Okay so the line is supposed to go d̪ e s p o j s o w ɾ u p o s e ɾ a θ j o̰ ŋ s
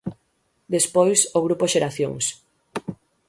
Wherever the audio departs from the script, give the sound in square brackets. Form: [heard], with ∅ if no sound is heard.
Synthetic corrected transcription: d̪ e s p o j s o [ɣ] ɾ u p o [ʃ] e ɾ a θ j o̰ ŋ s